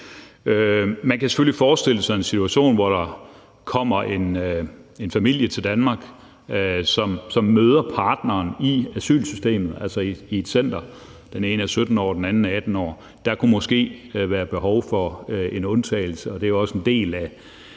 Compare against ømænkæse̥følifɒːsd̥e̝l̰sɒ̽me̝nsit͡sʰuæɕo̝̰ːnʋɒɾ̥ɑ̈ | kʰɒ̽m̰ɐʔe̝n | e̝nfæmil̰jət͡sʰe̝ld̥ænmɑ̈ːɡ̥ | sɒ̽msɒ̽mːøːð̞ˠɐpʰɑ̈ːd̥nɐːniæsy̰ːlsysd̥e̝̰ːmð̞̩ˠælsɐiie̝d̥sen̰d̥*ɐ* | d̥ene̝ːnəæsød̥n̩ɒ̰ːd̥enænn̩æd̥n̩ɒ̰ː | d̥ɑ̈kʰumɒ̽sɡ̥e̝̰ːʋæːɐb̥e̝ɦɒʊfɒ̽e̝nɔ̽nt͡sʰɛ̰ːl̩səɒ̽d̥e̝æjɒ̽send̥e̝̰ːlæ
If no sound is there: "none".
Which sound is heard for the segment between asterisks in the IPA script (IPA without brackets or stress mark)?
ɐ